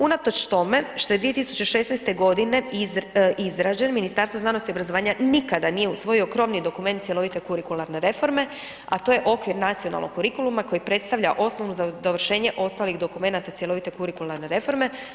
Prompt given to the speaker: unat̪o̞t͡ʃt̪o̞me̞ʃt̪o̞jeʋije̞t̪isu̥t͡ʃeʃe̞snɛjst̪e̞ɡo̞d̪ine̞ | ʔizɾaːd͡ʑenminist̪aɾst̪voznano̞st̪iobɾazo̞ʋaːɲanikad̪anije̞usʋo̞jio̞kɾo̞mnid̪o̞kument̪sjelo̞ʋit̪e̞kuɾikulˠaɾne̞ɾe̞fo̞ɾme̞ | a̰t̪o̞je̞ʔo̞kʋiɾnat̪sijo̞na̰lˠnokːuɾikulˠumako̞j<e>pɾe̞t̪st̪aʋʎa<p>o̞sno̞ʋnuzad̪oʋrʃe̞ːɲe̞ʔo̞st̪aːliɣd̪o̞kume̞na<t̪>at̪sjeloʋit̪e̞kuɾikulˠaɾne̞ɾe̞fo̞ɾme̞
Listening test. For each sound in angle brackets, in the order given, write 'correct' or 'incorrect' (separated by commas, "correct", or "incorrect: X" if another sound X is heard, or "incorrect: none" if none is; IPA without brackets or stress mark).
incorrect: i, incorrect: ʔ, correct